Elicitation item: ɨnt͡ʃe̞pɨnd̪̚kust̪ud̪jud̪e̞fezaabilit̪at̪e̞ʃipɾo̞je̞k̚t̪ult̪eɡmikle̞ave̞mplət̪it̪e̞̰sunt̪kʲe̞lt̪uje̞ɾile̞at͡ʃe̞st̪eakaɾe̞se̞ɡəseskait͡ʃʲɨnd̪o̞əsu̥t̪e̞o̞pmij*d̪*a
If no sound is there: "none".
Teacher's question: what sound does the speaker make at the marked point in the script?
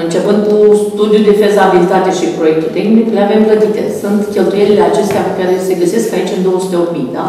d̪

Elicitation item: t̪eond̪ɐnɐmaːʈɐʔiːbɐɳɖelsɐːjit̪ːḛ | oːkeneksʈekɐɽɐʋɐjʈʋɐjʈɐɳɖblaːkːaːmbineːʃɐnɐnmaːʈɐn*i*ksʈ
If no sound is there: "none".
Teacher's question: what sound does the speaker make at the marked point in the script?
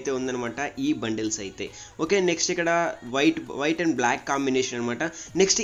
e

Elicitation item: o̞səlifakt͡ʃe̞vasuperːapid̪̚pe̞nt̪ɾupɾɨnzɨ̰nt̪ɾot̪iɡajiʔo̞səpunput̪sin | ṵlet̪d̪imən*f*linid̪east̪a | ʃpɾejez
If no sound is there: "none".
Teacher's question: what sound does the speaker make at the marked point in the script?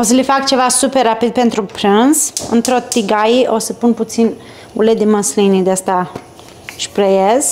s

